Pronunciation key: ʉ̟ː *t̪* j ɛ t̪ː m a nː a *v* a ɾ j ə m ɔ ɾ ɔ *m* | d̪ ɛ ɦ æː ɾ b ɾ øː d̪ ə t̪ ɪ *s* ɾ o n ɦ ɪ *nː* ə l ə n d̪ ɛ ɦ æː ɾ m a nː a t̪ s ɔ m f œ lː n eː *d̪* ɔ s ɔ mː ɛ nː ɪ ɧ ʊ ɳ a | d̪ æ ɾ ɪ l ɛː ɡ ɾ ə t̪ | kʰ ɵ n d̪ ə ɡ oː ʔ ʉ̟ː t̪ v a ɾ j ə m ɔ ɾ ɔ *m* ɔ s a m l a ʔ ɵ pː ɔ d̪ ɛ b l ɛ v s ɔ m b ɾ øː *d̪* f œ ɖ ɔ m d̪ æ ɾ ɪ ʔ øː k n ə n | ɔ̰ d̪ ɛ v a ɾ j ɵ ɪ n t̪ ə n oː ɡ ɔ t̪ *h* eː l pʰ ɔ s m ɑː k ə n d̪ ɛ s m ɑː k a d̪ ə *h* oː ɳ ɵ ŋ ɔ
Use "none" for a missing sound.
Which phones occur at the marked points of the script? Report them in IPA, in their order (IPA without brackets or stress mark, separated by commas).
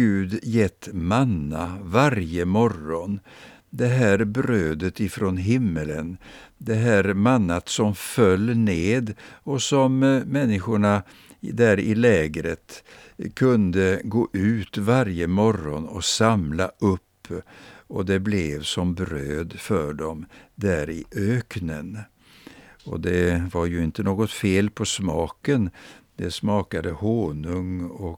d̪, v, n, f, mː, d̪, n, d̪, f, h